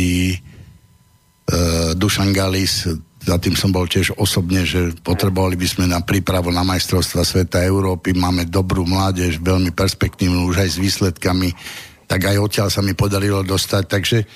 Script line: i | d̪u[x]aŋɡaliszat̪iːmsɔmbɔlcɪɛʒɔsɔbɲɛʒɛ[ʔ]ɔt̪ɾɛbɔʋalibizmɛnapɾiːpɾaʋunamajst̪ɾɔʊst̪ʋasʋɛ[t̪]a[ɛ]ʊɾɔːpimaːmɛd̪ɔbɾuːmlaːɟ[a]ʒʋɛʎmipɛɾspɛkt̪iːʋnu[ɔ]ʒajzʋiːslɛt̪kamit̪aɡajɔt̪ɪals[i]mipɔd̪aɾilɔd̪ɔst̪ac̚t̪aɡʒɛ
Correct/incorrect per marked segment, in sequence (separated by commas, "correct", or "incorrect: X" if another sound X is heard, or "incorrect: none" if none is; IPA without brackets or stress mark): incorrect: ʃ, incorrect: p, correct, correct, incorrect: ɛ, incorrect: u, incorrect: a